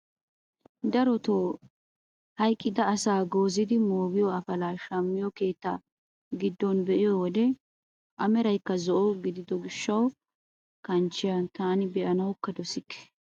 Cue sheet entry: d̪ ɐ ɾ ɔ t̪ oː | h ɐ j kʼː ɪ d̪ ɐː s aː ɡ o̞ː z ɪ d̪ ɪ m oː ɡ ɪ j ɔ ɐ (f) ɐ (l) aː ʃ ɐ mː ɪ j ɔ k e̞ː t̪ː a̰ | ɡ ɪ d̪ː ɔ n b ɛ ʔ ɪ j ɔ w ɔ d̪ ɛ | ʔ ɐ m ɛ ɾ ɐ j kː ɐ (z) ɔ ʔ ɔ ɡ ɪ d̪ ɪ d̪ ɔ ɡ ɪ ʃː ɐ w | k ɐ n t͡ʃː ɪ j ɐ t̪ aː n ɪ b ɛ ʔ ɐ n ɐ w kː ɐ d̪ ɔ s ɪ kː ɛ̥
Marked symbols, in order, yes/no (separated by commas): yes, yes, yes